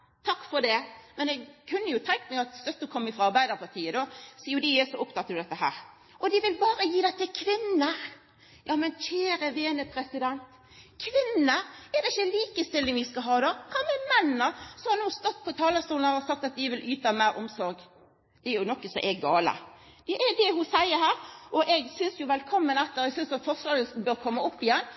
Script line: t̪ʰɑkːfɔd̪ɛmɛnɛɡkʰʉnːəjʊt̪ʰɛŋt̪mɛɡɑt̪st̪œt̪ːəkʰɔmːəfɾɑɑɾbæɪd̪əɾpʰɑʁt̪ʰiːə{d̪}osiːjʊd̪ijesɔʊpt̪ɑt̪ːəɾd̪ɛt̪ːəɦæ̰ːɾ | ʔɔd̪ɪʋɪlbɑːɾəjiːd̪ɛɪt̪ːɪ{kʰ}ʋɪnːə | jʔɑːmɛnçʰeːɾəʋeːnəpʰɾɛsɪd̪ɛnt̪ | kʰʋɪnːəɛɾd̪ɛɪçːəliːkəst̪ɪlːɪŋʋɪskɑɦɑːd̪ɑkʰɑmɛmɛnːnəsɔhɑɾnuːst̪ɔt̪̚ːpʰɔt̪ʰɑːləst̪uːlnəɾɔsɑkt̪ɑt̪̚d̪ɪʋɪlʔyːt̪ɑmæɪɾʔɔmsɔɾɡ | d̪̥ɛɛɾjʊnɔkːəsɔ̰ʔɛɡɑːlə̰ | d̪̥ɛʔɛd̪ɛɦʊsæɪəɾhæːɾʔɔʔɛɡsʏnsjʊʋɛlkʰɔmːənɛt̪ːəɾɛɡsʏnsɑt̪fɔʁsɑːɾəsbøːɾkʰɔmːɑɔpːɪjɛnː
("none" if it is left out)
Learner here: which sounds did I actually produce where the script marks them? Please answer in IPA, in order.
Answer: d̪, kʰ

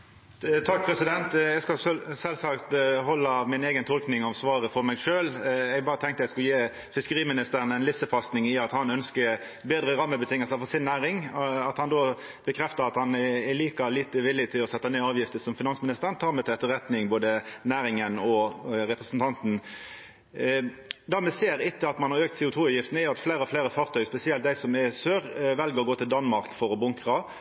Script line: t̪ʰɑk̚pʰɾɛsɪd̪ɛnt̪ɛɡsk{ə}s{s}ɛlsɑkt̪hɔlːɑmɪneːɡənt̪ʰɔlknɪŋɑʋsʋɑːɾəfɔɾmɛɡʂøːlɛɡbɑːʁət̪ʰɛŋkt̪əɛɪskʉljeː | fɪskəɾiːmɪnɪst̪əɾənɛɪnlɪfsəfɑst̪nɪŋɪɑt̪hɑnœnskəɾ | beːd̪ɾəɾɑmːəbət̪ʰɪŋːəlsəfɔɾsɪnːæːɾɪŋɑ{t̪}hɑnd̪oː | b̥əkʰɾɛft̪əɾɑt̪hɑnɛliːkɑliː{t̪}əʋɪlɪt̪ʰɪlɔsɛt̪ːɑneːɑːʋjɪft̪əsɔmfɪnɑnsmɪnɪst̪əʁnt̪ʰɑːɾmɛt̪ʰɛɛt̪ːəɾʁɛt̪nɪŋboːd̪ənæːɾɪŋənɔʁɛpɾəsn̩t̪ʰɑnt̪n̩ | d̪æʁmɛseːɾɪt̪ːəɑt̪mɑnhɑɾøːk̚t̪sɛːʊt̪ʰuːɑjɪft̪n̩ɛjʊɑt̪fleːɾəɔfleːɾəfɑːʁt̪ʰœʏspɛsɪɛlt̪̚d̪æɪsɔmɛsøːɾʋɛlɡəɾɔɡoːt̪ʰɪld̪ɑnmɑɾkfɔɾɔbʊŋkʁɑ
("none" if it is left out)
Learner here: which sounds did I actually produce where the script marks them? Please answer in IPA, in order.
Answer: ɑ, s, t̪, t̪

